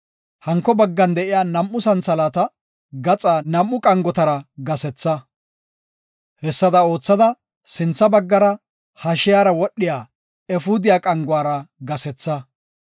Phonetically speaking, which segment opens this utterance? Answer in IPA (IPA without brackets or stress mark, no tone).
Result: h